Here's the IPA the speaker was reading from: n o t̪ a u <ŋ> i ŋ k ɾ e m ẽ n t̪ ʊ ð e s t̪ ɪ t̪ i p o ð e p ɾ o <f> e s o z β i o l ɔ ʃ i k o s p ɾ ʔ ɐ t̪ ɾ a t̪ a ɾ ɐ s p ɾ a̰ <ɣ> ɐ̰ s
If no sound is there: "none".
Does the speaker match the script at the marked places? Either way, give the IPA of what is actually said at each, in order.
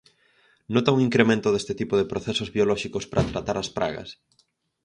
ŋ, θ, ɣ

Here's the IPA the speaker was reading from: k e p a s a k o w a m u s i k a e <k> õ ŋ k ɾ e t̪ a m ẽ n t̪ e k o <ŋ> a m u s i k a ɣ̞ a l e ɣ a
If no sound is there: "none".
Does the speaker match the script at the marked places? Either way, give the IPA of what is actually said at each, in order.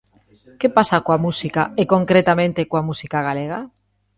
k, none

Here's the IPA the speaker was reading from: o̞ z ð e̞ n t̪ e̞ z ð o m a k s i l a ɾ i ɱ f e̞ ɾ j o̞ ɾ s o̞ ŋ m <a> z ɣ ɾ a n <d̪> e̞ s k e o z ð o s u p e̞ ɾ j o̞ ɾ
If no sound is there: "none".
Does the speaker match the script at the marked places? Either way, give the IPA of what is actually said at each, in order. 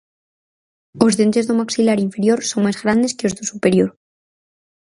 a, d̪

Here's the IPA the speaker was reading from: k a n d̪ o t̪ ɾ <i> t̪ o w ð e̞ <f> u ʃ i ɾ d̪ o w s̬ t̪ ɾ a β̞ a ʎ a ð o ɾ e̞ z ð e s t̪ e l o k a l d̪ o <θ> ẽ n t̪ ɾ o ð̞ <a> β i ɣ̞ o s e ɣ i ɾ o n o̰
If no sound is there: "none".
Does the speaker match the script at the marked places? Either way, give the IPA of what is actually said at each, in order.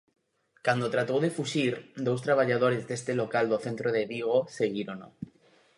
a, f, θ, e

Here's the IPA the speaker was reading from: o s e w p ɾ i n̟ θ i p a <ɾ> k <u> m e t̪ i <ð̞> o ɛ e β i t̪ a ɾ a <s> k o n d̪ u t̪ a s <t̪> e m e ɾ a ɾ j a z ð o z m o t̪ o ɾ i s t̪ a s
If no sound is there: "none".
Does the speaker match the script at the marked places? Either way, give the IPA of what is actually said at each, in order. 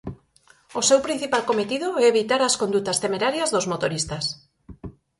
l, o, ð̞, s, t̪

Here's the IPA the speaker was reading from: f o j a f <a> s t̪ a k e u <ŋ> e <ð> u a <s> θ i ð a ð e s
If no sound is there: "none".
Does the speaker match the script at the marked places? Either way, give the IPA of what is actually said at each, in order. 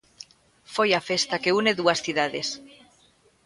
e, n, ð, s

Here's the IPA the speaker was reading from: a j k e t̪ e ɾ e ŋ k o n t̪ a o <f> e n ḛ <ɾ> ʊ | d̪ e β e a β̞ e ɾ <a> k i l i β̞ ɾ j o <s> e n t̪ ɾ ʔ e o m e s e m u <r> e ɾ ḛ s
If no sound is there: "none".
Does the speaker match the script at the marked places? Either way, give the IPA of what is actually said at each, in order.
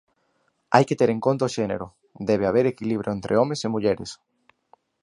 ʃ, ɾ, e, none, ʎ

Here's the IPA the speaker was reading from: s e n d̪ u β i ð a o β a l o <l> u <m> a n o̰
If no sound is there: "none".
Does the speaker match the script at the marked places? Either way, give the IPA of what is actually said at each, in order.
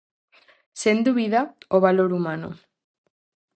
ɾ, m

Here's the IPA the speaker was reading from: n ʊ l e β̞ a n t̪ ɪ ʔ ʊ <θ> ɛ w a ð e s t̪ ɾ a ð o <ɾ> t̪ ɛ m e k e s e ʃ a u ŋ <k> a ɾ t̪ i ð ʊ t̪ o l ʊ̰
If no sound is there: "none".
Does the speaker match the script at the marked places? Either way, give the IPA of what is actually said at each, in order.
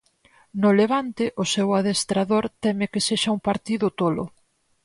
s, ɾ, p

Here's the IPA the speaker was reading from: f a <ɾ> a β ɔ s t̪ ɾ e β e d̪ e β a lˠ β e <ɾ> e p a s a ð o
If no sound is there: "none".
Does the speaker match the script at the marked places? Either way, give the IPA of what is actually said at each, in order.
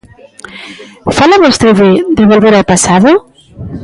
l, ɾ

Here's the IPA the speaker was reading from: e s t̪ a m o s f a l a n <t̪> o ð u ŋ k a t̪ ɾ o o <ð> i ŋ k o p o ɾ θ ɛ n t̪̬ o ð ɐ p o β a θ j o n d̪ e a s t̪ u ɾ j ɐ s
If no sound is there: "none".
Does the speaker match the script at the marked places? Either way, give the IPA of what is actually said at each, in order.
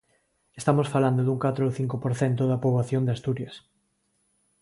d̪, θ

